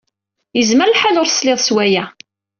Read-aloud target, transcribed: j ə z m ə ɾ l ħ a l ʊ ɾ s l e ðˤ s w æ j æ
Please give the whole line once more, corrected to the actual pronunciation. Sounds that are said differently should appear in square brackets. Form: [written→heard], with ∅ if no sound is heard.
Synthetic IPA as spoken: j ə z m ə ɾ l ħ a l ʊ ɾ s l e ðˤ s w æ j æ